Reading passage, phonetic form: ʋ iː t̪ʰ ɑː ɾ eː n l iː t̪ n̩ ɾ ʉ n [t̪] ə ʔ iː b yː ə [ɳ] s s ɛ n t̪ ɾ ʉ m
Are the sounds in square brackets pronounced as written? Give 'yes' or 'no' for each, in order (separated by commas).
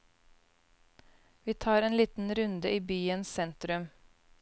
no, no